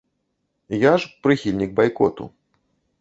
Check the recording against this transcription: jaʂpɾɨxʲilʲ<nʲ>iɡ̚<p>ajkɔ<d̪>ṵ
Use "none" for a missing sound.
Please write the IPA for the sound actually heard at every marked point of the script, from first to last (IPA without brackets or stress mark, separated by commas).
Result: nʲ, b, t̪